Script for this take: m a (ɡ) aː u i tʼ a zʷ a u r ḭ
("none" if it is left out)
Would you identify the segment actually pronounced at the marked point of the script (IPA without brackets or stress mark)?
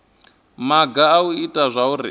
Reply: ɡ